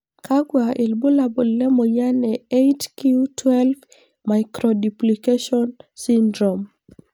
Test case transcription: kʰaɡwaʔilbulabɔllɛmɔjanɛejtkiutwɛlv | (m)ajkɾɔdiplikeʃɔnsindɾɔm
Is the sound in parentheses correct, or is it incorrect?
correct